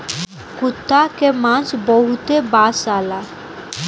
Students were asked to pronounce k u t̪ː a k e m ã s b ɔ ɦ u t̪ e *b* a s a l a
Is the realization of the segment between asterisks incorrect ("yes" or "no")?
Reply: no